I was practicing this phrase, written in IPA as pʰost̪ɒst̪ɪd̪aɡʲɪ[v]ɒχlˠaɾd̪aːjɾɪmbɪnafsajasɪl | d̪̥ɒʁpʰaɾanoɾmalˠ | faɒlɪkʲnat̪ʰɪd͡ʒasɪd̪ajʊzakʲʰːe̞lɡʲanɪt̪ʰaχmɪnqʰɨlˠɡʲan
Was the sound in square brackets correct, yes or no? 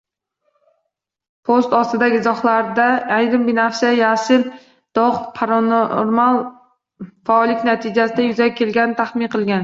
no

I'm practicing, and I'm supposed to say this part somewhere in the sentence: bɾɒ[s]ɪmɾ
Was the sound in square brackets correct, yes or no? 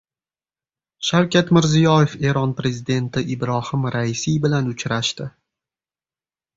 no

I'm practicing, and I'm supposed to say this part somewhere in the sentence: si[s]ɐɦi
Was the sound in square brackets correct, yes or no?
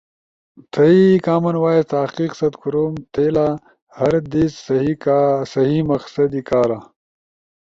yes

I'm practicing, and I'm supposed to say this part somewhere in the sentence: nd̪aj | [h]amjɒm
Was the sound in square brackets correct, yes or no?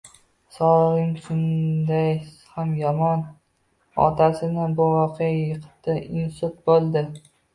yes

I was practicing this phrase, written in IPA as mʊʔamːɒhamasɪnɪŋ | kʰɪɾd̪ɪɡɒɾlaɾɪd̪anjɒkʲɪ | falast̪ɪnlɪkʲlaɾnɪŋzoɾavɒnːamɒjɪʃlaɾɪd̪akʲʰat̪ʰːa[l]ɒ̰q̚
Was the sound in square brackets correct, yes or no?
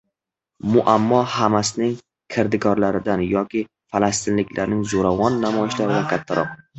no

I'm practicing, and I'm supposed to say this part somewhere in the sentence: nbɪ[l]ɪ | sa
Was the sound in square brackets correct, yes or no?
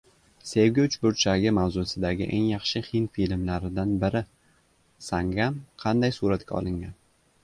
no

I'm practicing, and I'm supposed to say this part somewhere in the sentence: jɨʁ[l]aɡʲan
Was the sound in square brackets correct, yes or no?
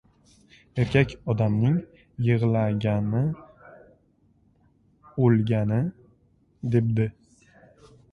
yes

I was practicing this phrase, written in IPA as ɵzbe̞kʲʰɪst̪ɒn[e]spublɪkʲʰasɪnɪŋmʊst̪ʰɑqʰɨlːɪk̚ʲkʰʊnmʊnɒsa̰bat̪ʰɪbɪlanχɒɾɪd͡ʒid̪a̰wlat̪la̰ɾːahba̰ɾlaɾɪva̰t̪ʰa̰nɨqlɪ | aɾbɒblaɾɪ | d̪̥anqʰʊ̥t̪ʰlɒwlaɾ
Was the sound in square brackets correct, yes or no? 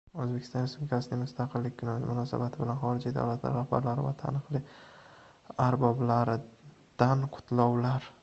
yes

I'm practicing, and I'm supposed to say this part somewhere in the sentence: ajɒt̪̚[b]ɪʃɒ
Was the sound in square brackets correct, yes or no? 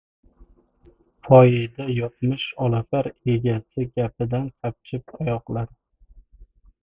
no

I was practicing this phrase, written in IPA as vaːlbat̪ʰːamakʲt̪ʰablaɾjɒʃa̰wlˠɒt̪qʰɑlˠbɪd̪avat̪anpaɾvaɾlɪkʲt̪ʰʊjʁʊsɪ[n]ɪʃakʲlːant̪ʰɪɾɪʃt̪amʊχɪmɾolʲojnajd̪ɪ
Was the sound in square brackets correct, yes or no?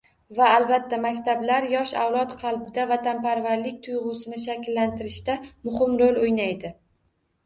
yes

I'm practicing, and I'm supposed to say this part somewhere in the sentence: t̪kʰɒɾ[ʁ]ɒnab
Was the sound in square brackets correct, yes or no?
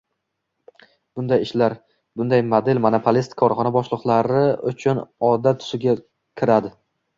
no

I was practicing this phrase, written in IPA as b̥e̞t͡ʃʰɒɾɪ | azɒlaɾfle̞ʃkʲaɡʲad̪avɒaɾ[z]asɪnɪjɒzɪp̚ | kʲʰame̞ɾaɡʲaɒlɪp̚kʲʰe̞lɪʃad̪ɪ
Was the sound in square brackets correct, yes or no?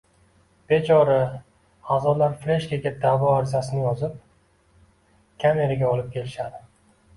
yes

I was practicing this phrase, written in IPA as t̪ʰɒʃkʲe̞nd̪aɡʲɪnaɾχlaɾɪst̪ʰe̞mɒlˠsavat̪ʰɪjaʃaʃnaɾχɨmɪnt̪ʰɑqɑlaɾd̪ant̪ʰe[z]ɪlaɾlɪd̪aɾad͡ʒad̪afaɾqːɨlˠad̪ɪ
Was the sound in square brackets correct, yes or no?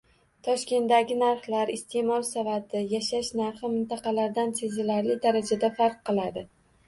yes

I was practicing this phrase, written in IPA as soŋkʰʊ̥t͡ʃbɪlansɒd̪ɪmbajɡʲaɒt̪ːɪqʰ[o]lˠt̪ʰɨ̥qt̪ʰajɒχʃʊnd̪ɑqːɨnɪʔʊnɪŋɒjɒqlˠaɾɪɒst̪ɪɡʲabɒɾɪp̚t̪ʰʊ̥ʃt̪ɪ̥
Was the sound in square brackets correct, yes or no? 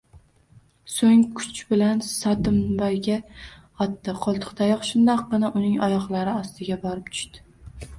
no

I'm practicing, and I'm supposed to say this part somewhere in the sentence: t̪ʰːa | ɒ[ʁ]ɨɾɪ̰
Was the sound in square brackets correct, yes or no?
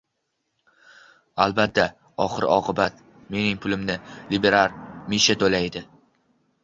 no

